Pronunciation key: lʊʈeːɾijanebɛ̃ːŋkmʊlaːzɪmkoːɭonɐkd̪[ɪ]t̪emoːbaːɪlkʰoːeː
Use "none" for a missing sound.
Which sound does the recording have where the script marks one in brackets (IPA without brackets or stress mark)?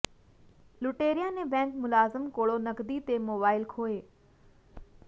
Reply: i